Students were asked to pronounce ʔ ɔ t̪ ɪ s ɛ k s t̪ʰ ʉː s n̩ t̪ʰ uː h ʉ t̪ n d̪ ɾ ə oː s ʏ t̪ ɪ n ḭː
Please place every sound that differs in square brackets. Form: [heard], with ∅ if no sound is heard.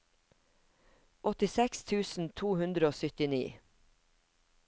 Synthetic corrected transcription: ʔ ɔ t̪ ɪ s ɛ k s t̪ʰ ʉː s n̩ t̪ʰ uː h ʉ [∅] n d̪ ɾ ə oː s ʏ t̪ ɪ n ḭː